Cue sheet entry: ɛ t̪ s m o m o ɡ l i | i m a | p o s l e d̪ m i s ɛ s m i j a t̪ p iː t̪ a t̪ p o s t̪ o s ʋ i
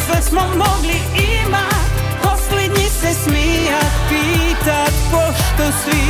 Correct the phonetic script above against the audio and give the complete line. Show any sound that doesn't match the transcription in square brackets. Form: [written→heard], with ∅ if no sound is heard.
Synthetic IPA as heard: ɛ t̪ s m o m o ɡ l i | i m a | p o s l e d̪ [m→ɲ] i s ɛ s m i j a t̪ p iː t̪ a t̪ p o [s→ʃ] t̪ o s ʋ i